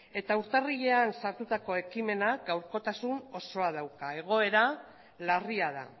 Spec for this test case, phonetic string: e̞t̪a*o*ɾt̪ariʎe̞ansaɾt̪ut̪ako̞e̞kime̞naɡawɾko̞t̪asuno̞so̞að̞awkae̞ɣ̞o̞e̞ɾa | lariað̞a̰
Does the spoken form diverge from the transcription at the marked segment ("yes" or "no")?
yes